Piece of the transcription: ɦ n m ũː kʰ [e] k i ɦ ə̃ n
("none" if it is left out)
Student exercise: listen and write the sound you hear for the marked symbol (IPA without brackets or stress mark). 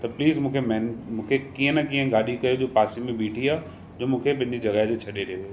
e